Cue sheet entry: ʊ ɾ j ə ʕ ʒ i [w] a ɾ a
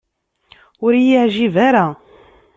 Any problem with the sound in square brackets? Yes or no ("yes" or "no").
yes